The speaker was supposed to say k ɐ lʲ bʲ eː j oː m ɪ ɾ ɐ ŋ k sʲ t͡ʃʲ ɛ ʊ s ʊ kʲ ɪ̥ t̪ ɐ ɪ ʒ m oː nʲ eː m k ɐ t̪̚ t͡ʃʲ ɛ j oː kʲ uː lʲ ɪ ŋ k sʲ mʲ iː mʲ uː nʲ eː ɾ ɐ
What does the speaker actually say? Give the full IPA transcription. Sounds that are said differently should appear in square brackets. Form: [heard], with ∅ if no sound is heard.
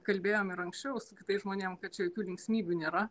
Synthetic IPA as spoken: k ɐ lʲ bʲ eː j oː m ɪ ɾ ɐ ŋ k sʲ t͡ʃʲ ɛ ʊ s ʊ kʲ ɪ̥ t̪ ɐ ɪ ʒ m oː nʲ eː m k ɐ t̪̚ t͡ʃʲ ɛ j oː kʲ uː lʲ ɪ ŋ k sʲ mʲ iː [bʲ] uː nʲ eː ɾ ɐ

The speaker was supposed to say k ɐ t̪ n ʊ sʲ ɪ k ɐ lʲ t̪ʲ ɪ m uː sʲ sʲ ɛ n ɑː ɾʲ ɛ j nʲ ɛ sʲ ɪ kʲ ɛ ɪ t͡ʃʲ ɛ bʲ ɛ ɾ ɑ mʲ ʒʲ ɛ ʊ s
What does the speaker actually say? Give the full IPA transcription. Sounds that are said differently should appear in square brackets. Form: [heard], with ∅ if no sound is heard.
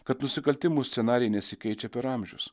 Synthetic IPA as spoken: k ɐ t̪ n ʊ sʲ ɪ k ɐ lʲ t̪ʲ ɪ m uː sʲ sʲ ɛ n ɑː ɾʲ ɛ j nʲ ɛ sʲ ɪ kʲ ɛ ɪ t͡ʃʲ ɛ [pʲ] ɛ ɾ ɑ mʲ ʒʲ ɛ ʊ s

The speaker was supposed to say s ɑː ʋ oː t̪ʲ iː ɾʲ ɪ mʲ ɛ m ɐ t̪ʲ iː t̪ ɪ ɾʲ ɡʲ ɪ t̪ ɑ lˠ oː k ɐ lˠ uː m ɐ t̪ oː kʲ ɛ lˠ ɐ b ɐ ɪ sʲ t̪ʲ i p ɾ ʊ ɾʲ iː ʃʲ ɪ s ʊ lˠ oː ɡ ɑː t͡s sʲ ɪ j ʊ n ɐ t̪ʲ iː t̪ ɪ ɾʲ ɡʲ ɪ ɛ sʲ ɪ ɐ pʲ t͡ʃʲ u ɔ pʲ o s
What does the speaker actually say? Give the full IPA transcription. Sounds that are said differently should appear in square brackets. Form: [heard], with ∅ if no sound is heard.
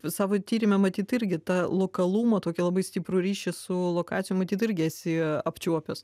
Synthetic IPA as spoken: s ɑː ʋ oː t̪ʲ iː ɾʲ ɪ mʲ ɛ m ɐ t̪ʲ iː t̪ ɪ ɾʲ ɡʲ ɪ t̪ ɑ lˠ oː k ɐ lˠ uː m ɐ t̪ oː kʲ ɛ lˠ ɐ b ɐ ɪ sʲ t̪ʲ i p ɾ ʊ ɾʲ iː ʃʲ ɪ s ʊ lˠ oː [k] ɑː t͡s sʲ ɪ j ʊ [m] ɐ t̪ʲ iː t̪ ɪ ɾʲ ɡʲ ɪ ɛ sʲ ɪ ɐ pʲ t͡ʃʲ u ɔ pʲ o s

